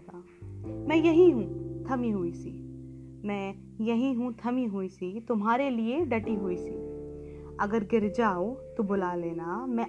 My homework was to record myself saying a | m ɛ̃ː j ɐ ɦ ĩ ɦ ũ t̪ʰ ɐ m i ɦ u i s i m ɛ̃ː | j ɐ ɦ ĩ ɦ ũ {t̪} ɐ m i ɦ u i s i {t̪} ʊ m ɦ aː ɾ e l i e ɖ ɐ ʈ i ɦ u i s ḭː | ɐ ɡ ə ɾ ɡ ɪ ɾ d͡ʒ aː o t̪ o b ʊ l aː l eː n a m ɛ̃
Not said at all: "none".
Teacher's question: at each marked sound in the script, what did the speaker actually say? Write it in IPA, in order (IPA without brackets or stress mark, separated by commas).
t̪ʰ, t̪